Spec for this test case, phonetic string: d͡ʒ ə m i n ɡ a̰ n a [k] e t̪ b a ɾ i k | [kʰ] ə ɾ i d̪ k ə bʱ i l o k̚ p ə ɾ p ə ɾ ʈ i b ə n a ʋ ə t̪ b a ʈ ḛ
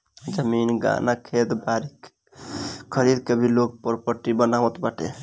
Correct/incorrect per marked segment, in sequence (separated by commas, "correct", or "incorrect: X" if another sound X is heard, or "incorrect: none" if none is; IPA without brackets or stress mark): incorrect: kʰ, correct